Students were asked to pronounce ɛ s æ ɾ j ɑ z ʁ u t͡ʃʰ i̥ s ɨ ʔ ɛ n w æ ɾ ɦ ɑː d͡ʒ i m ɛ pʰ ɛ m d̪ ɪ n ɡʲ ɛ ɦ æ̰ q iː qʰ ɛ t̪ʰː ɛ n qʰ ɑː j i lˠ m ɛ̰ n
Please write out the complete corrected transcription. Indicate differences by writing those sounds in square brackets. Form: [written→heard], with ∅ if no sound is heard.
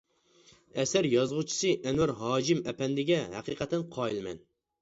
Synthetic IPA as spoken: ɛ s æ ɾ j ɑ z ʁ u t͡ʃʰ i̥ s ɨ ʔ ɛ n w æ ɾ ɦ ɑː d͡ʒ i m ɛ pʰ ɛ [m→n] d̪ ɪ [n→∅] ɡʲ ɛ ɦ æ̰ q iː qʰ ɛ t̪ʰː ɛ n qʰ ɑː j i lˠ m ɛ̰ n